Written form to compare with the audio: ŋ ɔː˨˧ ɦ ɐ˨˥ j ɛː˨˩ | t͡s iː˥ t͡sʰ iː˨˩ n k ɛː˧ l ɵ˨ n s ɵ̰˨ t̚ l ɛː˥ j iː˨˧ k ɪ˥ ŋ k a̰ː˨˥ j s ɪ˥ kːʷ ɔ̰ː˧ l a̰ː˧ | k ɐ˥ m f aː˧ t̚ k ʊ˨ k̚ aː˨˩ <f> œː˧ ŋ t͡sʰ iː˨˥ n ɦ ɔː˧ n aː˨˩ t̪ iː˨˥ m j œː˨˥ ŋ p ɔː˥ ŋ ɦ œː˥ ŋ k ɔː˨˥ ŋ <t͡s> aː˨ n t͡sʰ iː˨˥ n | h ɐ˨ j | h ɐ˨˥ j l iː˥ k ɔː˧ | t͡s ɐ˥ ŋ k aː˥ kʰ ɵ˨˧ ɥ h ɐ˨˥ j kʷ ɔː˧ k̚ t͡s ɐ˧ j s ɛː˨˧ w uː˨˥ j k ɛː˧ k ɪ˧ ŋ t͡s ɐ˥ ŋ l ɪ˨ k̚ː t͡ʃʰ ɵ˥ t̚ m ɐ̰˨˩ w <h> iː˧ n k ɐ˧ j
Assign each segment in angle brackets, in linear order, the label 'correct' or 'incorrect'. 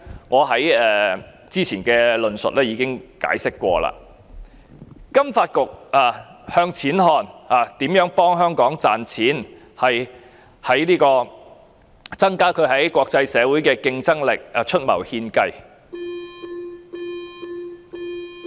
incorrect, correct, correct

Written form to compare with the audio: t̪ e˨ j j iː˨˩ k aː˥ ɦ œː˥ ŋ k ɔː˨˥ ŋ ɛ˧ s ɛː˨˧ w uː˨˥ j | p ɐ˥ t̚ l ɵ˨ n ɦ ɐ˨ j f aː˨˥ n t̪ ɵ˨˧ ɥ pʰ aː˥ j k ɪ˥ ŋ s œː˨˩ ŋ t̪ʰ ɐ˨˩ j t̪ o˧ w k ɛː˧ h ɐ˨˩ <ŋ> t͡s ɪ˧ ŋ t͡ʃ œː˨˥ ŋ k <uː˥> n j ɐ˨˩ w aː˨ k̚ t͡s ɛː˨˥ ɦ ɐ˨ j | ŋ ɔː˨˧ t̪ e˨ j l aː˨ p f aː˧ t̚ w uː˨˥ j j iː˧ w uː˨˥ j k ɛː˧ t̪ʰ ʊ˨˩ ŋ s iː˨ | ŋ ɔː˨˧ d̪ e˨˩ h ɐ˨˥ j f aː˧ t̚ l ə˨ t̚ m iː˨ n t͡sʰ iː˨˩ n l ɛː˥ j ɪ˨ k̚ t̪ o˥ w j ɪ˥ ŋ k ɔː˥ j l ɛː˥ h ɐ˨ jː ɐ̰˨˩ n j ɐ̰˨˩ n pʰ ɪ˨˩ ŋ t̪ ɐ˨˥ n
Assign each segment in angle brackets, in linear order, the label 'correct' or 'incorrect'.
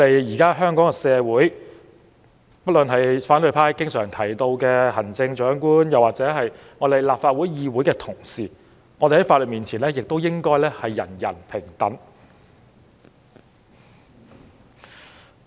incorrect, correct

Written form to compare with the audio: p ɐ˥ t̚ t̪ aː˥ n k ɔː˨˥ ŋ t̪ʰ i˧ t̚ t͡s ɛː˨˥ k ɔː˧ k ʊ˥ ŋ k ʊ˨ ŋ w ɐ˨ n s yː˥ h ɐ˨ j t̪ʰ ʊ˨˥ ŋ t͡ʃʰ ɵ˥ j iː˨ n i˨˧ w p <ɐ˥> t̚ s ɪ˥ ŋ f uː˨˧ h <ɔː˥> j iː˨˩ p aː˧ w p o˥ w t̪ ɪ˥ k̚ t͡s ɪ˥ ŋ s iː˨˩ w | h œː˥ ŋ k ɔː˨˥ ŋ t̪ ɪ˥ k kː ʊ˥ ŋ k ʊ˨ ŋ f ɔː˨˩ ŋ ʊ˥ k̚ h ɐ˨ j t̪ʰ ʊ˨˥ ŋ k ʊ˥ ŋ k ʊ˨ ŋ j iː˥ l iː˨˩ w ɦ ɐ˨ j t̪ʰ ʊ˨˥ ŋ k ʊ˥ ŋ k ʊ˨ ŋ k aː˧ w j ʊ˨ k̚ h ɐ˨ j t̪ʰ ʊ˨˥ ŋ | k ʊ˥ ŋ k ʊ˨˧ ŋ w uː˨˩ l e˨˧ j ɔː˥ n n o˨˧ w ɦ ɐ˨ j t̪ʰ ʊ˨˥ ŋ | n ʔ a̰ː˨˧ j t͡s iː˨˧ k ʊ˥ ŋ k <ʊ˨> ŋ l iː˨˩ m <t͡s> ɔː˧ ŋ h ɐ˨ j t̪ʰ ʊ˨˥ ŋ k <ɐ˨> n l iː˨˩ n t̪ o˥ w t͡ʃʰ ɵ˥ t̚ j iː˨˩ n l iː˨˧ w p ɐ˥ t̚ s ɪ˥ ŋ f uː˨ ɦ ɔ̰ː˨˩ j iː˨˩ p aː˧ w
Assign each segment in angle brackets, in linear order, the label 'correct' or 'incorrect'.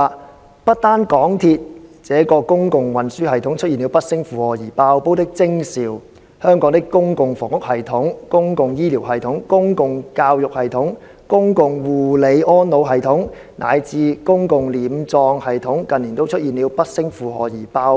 correct, incorrect, correct, correct, correct

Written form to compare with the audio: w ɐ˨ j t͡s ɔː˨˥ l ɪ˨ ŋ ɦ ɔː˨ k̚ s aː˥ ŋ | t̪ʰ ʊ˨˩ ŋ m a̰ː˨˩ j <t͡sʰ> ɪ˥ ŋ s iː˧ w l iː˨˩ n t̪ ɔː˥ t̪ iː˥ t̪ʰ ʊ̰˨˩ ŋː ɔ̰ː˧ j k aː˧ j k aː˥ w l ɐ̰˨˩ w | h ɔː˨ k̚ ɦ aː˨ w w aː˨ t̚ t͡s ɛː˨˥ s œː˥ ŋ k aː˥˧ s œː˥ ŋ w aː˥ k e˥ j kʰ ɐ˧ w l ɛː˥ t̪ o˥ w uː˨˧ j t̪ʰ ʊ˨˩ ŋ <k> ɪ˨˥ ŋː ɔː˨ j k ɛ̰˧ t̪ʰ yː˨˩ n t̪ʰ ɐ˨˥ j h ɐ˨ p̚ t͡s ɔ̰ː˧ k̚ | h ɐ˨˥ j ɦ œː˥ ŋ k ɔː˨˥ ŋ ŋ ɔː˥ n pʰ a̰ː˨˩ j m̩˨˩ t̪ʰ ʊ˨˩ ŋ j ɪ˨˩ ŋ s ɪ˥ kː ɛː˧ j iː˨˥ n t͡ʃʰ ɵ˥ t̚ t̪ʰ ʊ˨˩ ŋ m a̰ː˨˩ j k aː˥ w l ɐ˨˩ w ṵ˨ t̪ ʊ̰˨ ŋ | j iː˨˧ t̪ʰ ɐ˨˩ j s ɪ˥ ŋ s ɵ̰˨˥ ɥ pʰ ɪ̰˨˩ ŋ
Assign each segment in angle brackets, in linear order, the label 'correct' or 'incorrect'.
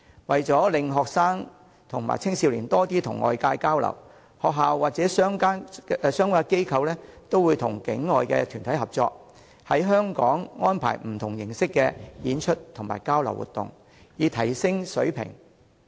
correct, correct

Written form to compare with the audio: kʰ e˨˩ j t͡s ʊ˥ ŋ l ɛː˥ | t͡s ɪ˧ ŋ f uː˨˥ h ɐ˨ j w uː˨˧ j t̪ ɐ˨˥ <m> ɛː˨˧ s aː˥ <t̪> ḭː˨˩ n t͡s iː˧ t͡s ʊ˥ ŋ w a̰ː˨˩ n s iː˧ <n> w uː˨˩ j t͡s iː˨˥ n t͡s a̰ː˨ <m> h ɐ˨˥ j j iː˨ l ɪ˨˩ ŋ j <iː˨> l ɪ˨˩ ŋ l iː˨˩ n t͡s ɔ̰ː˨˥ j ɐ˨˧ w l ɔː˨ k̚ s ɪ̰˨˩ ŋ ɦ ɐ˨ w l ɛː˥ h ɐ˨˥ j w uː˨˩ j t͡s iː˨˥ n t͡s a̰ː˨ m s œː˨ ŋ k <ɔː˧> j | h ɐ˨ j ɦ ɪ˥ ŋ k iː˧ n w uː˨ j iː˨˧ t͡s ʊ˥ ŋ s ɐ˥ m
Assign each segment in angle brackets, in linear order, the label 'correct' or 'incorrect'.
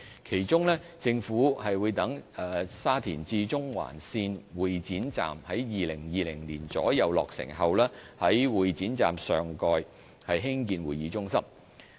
incorrect, incorrect, correct, correct, correct, correct

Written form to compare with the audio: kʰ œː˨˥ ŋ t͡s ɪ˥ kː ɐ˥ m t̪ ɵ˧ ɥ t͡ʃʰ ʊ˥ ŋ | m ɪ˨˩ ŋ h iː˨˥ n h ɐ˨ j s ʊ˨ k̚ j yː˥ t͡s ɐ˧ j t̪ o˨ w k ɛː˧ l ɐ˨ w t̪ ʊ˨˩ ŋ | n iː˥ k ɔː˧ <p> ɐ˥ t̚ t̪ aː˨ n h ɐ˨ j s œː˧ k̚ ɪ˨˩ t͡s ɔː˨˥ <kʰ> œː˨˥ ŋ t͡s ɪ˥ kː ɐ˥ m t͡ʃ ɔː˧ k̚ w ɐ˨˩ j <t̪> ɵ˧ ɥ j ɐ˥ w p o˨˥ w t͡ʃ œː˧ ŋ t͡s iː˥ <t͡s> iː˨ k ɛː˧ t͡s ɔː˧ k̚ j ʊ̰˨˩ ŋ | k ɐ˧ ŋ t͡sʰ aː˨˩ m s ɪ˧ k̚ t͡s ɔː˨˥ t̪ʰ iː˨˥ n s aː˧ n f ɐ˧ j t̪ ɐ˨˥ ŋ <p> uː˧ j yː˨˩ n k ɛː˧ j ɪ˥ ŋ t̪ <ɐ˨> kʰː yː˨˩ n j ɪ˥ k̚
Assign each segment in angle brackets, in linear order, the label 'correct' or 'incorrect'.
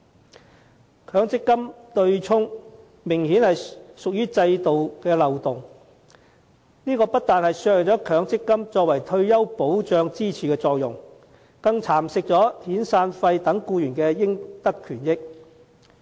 correct, correct, incorrect, incorrect, incorrect, incorrect

